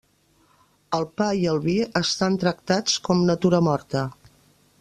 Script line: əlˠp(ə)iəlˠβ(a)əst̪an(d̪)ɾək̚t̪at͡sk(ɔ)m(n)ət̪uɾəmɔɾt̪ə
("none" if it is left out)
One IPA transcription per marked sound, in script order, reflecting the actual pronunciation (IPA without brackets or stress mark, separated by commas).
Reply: a, i, t̪, ɔ, n